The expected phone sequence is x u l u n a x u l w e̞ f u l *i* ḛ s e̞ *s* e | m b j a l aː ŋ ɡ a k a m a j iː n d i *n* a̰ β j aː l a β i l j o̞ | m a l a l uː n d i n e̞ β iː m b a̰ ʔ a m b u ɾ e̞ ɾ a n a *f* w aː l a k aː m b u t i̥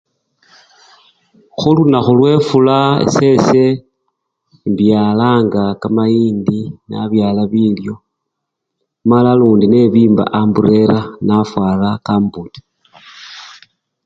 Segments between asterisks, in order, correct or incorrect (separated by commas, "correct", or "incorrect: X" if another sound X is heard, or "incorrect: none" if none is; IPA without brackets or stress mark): incorrect: a, correct, correct, correct